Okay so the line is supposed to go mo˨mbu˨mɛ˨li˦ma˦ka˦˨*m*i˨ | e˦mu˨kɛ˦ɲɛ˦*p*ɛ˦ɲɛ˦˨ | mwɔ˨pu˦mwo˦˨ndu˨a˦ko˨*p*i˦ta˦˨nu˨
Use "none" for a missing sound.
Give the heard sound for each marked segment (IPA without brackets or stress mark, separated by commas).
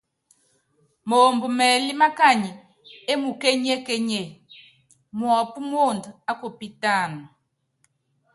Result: ɲ, k, p